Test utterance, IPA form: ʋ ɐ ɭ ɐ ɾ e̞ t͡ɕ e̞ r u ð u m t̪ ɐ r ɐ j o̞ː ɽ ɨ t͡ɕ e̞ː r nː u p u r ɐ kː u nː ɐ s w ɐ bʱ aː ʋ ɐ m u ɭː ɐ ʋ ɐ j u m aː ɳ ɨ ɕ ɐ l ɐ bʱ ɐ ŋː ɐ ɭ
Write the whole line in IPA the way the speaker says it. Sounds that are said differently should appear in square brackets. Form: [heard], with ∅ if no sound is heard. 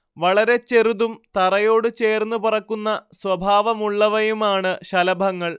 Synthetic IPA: ʋ ɐ ɭ ɐ ɾ e̞ t͡ɕ e̞ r u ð u m t̪ ɐ r ɐ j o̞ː ɽ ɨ t͡ɕ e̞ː r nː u p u r ɐ kː u nː ɐ s w ɐ bʱ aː ʋ ɐ m u ɭː ɐ ʋ ɐ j u m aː ɳ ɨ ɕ ɐ l ɐ bʱ ɐ ŋː ɐ ɭ